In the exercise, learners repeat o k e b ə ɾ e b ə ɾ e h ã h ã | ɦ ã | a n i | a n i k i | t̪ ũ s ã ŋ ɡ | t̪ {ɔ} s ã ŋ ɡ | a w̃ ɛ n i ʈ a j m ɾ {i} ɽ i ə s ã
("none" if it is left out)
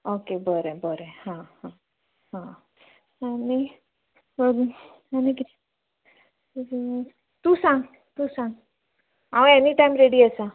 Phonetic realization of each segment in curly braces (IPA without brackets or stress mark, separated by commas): u, e